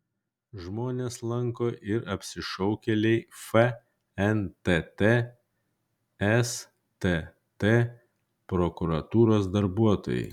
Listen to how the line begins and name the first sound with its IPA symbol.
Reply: ʒ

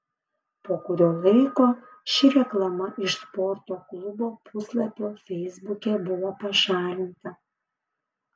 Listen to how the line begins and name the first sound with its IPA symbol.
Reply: p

